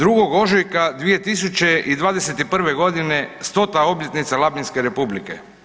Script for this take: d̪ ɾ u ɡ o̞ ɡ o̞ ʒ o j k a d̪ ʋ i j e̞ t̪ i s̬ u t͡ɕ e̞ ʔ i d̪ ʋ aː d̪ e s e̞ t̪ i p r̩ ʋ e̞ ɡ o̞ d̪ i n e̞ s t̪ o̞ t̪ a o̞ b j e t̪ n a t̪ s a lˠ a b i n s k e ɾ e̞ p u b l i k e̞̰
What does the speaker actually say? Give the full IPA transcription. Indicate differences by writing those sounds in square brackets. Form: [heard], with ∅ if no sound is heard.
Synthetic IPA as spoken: d̪ ɾ u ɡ o̞ ɡ o̞ ʒ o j k a d̪ ʋ i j e̞ t̪ i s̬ u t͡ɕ e̞ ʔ i d̪ ʋ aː d̪ e s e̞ t̪ i p r̩ ʋ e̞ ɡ o̞ d̪ i n e̞ s t̪ o̞ t̪ a o̞ b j e t̪ n [i] t̪ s a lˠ a b i n s k e ɾ e̞ p u b l i k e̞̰